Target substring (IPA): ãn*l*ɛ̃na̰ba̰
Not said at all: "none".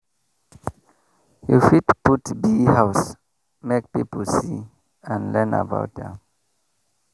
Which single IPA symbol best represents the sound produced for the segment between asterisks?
l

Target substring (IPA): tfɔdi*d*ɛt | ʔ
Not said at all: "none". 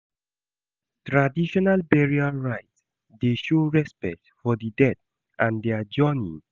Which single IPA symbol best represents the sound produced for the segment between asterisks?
d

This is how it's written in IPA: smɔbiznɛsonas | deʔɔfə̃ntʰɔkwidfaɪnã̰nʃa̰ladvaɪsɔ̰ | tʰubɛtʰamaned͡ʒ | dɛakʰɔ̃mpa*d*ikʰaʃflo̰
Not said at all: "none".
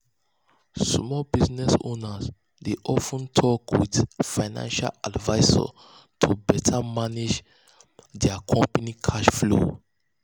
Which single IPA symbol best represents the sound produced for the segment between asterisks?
n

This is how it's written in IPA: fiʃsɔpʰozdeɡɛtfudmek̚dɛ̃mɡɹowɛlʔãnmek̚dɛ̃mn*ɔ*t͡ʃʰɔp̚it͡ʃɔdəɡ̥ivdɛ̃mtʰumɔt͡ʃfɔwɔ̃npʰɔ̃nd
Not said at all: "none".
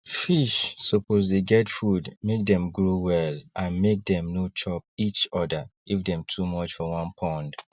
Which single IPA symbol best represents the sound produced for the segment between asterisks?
o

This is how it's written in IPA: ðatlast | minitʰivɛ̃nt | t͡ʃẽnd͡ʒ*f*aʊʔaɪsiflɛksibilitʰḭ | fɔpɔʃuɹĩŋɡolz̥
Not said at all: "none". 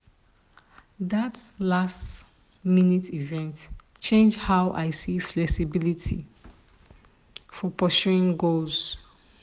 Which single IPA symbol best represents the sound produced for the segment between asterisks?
h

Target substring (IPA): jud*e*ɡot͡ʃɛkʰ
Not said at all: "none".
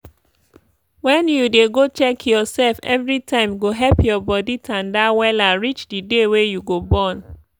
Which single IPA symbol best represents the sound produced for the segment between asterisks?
e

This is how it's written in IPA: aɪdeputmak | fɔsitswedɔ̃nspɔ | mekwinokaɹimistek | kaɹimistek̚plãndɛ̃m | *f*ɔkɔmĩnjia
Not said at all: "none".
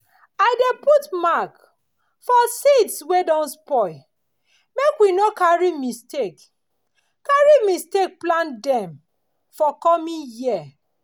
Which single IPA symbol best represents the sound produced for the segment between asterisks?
f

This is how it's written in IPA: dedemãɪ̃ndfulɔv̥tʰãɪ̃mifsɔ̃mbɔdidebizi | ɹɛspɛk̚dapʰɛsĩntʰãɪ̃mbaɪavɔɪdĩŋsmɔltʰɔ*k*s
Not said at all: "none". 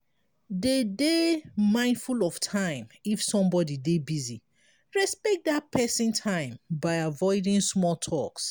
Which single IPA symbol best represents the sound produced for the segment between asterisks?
k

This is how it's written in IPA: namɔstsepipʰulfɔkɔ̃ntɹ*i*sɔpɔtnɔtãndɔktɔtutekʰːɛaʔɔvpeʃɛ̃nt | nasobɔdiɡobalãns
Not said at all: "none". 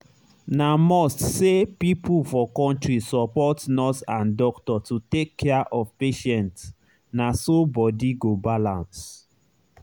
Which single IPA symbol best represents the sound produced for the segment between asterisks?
i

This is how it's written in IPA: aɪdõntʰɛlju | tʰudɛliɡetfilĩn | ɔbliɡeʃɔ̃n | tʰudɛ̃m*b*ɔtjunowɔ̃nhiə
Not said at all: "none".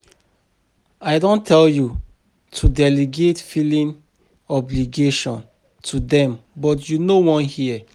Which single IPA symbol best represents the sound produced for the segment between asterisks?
b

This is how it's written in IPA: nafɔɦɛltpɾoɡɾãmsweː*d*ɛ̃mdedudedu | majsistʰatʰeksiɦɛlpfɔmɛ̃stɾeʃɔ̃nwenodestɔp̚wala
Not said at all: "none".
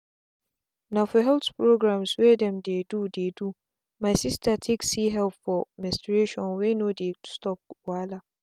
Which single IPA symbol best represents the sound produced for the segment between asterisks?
d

